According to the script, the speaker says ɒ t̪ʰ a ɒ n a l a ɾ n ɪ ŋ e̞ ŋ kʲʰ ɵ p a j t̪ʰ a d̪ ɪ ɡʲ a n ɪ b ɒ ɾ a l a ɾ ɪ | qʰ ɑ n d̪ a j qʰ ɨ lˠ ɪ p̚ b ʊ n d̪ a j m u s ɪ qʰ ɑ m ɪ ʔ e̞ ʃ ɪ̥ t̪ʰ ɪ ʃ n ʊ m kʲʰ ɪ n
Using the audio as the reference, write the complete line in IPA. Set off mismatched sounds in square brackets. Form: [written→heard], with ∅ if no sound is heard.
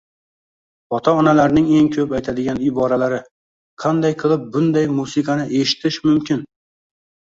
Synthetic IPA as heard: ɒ t̪ʰ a ɒ n a l a ɾ n ɪ ŋ e̞ ŋ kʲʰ ɵ p a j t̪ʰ a d̪ ɪ ɡʲ a n ɪ b ɒ ɾ a l a ɾ ɪ | qʰ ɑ n d̪ a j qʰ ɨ lˠ ɪ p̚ b ʊ n d̪ a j m u s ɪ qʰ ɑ [m→n] ɪ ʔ e̞ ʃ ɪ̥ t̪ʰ ɪ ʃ [n→m] ʊ m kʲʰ ɪ n